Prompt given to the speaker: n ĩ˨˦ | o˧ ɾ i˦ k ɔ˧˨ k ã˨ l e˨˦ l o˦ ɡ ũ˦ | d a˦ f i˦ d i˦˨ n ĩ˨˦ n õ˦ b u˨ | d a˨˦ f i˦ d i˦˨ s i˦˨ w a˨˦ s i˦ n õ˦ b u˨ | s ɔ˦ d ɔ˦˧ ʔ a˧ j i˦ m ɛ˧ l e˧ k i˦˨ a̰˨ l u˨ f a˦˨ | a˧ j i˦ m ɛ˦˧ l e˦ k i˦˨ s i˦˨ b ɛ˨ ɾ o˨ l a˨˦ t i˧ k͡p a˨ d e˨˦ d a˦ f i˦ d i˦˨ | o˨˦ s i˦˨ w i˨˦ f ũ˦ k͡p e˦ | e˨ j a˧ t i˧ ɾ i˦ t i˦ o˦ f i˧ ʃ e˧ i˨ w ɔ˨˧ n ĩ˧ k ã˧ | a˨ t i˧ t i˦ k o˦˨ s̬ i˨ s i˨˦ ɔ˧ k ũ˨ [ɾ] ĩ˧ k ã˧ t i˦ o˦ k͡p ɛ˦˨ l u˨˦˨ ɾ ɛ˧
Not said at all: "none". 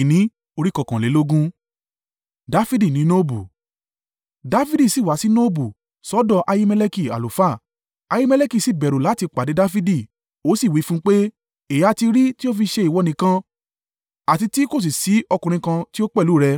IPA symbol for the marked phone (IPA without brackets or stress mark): ɾ